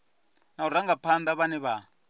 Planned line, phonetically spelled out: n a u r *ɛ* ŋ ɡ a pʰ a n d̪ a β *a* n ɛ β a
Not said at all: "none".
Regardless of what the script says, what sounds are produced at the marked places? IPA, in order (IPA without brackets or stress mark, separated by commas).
a, a